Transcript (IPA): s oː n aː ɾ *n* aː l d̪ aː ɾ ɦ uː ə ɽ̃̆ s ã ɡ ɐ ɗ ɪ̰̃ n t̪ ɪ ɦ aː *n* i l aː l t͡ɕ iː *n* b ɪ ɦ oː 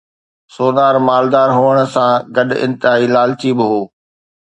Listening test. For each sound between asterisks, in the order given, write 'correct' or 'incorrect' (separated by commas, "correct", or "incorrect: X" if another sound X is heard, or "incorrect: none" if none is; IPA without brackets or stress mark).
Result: incorrect: m, incorrect: none, incorrect: none